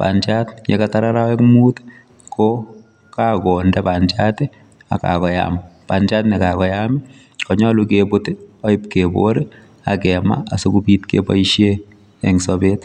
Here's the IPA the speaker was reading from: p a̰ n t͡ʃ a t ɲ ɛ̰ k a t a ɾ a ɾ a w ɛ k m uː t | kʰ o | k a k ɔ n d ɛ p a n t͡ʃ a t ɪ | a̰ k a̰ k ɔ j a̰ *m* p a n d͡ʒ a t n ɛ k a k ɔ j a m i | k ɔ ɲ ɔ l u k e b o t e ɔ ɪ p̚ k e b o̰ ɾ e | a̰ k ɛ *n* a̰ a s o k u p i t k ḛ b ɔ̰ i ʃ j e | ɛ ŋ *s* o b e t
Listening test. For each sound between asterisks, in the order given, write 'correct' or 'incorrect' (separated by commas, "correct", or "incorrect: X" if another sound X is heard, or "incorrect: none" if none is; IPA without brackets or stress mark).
correct, incorrect: m, correct